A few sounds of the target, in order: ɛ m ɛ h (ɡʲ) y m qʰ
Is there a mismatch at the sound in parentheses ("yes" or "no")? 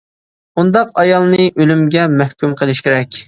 yes